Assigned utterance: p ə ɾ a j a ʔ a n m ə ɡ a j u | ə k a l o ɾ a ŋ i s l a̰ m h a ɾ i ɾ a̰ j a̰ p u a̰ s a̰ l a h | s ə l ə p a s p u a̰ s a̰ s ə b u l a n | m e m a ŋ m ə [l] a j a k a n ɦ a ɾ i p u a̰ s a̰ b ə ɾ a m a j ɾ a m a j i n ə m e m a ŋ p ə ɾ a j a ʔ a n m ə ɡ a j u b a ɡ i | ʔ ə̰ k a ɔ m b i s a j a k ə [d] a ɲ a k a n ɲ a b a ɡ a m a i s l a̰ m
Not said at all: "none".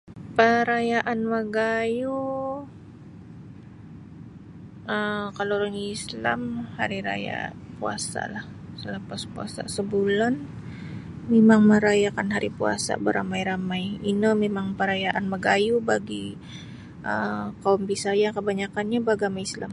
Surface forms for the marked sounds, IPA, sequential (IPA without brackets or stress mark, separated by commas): ɾ, b